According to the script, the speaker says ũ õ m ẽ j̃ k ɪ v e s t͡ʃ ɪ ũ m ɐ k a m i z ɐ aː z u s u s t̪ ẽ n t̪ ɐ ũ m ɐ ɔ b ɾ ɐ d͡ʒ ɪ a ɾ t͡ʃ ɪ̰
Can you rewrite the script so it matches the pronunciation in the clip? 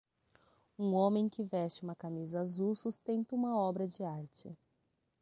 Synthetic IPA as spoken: ũ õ m ẽ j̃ k ɪ v ɛ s t͡ʃ ɪ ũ m ɐ k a m i z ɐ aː z u s u s t̪ ẽ n t̪ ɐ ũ m ɐ ɔ b ɾ ɐ d͡ʒ ɪ a ɾ t͡ʃ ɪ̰

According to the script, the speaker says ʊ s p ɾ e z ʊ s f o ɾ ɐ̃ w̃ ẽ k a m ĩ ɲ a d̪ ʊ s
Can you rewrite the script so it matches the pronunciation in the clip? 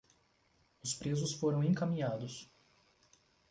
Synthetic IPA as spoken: ʊ s p ɾ e z ʊ s f o ɾ ɐ̃ w̃ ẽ k a m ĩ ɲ a d̪ ʊ s

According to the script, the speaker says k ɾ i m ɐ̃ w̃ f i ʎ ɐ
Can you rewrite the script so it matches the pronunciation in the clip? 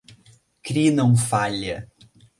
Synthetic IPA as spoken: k ɾ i n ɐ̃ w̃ f a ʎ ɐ

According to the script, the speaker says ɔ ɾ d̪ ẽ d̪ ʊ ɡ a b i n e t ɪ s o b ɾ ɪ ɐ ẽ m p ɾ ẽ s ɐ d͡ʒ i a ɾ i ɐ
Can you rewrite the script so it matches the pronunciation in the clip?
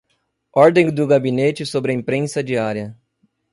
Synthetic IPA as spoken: ɔ ɾ d̪ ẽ d̪ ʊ ɡ a b i n e t͡ʃ ɪ s o b ɾ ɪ ɐ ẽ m p ɾ ẽ s ɐ d͡ʒ i a ɾ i ɐ

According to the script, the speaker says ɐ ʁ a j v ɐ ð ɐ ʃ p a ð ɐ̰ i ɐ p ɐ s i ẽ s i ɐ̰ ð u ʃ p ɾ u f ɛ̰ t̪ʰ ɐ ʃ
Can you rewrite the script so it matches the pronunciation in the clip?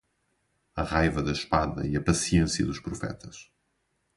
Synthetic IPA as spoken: ɐ ʁ a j v ɐ ð ɐ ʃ p a ð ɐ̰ i ɐ p ɐ s i ẽ s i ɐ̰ ð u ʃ p ɾ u f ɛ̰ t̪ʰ ɐ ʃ

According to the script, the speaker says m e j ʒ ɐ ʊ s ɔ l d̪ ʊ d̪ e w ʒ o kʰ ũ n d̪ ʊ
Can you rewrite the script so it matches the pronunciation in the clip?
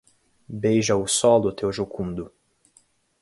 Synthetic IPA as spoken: b e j ʒ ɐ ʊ s ɔ l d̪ ʊ t̪ e w ʒ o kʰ ũ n d̪ ʊ

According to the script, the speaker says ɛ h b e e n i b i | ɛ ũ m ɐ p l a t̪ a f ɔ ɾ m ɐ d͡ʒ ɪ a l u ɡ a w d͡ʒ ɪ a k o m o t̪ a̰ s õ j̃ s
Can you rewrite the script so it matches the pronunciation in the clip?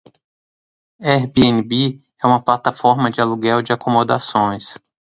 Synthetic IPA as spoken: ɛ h b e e n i b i | ɛ ũ m ɐ p l a t̪ a f ɔ ɾ m ɐ d͡ʒ ɪ a l u ɡ ɛ w d͡ʒ ɪ a k o m o d̪ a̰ s õ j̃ s

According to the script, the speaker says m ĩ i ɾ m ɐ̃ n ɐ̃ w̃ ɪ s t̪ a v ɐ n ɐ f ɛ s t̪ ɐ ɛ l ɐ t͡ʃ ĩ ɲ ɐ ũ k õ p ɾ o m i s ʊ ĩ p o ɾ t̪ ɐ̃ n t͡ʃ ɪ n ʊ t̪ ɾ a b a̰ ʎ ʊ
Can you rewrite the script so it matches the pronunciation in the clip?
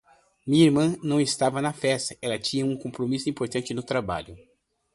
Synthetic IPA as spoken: m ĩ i ɾ m ɐ̃ n ɐ̃ w̃ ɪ s t̪ a v ɐ n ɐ f ɛ s t̪ ɐ ɛ l ɐ t͡ʃ ĩ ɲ ɐ ũ k õ p ɾ o m i s ʊ ĩ p o ɾ t̪ ɐ̃ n t͡ʃ ɪ n ʊ t̪ ɾ a b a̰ ʎ ʊ

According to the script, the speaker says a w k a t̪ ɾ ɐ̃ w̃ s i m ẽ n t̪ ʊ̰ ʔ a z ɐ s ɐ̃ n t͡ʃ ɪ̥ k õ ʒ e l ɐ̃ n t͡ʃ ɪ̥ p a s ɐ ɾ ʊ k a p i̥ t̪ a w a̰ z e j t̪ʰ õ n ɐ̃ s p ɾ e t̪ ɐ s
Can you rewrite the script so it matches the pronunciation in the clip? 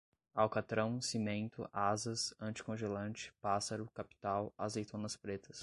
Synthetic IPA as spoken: a w k a t̪ ɾ ɐ̃ w̃ s i m ẽ n t̪ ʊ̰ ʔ a z ɐ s ɐ̃ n t͡ʃ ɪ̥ k õ ʒ e l ɐ̃ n t͡ʃ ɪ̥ p a s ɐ ɾ ʊ k a p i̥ t̪ a w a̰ z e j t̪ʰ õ n ɐ s p ɾ e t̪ ɐ s

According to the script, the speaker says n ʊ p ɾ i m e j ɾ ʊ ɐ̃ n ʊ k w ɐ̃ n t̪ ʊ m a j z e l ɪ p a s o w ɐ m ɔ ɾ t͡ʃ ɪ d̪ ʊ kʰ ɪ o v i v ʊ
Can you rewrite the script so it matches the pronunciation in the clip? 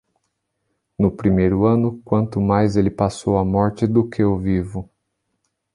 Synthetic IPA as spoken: n ʊ p ɾ i m e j ɾ ʊ ɐ̃ n ʊ k w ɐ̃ n t̪ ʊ m a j z e l ɪ p a s o w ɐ m ɔ ɾ t͡ʃ ɪ d̪ ʊ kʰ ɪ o v i v ʊ

